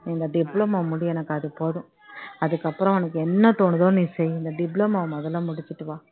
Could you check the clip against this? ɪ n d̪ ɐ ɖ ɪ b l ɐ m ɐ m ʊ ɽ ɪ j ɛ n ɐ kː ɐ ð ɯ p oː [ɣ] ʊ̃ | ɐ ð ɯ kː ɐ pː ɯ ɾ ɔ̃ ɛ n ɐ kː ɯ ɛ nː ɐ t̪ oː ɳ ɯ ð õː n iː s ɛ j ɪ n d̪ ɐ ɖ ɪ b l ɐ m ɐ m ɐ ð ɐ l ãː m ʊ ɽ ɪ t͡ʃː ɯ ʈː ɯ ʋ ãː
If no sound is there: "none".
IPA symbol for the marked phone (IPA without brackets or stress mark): ð